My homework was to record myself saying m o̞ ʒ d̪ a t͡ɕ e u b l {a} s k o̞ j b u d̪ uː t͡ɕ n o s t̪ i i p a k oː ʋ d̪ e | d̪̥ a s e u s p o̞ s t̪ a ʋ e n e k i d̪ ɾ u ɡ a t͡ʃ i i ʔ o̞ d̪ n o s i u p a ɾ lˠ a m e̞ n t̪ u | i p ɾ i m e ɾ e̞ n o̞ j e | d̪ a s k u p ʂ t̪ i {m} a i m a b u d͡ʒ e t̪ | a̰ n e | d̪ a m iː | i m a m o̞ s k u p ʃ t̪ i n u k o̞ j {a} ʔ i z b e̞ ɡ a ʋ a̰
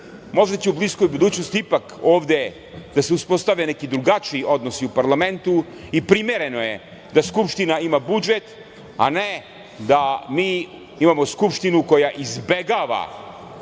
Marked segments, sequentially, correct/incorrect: incorrect, incorrect, correct

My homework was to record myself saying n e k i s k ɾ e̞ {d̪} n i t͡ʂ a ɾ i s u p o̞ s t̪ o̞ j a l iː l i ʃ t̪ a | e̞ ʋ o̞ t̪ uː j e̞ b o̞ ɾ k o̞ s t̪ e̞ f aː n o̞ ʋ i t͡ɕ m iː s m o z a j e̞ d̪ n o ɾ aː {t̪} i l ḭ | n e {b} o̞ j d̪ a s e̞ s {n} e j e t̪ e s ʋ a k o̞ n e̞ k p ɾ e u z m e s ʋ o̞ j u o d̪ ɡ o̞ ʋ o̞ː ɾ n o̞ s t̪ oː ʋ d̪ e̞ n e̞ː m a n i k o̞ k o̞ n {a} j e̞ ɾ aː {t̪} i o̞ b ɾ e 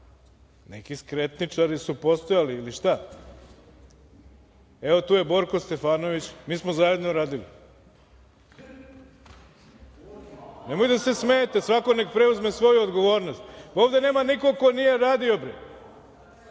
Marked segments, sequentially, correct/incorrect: incorrect, incorrect, incorrect, incorrect, incorrect, incorrect

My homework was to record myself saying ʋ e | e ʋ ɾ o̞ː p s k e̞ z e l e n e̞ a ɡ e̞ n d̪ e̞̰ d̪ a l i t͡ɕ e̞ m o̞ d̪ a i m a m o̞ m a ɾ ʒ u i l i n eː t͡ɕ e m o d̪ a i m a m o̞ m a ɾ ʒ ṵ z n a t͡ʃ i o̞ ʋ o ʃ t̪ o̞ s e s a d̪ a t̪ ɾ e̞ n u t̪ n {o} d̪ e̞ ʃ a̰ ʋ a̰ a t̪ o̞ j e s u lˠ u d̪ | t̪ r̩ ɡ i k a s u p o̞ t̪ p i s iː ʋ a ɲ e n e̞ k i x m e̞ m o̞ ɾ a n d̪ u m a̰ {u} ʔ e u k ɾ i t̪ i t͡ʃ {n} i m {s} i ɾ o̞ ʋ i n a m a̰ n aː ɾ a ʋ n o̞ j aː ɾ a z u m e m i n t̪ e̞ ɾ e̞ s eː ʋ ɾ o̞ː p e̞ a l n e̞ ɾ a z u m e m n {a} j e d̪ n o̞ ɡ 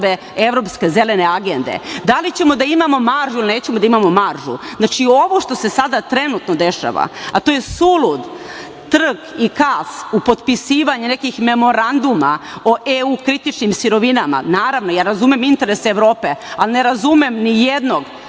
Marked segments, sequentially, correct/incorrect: correct, incorrect, correct, correct, incorrect

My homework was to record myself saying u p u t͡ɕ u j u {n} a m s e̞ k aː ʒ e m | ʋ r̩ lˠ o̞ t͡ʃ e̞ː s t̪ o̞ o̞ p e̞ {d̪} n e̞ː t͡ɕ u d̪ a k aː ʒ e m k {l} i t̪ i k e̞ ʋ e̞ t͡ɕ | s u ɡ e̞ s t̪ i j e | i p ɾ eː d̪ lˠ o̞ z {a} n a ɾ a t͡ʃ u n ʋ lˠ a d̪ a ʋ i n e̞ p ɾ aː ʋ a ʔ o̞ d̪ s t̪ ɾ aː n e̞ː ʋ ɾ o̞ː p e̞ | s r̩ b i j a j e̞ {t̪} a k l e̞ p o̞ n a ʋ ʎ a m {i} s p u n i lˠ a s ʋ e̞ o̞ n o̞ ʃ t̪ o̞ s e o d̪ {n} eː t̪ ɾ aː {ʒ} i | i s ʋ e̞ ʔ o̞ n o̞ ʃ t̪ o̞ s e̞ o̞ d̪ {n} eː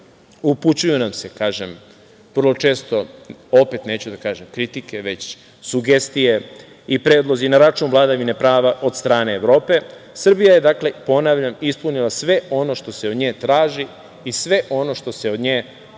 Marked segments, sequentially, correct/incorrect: correct, incorrect, incorrect, incorrect, incorrect, correct, incorrect, correct, incorrect

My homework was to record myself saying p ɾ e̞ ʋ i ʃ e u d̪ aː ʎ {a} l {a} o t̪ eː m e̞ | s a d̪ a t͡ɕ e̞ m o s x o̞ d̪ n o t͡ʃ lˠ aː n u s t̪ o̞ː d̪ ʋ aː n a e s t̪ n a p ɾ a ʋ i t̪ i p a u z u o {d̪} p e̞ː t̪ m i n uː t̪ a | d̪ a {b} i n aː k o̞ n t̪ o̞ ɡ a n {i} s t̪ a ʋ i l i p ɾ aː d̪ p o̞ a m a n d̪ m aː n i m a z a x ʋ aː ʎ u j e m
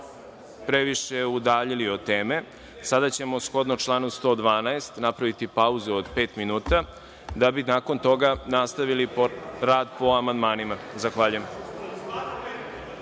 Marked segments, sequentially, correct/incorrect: incorrect, incorrect, correct, correct, incorrect

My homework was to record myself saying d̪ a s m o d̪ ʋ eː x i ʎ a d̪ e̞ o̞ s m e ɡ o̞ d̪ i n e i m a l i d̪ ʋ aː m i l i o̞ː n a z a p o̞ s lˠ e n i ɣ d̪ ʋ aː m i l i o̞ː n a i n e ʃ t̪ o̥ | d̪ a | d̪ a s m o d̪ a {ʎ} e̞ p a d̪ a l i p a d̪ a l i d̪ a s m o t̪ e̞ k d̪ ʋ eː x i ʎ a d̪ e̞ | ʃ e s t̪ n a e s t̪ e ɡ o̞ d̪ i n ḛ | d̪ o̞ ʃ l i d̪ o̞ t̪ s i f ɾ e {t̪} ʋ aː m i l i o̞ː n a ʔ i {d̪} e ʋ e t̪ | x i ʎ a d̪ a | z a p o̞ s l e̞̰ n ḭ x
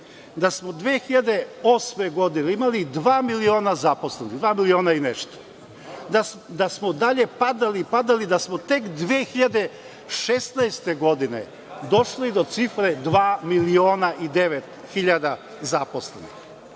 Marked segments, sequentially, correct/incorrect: correct, incorrect, correct

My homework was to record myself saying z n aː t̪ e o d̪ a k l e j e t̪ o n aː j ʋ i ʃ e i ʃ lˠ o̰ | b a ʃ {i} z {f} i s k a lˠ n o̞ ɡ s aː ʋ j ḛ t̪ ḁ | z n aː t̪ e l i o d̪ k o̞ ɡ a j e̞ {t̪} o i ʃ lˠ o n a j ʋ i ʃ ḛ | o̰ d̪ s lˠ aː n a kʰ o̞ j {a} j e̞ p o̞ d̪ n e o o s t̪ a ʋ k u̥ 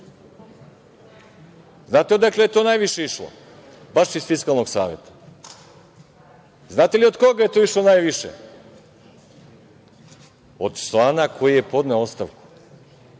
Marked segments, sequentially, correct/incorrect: correct, correct, correct, incorrect

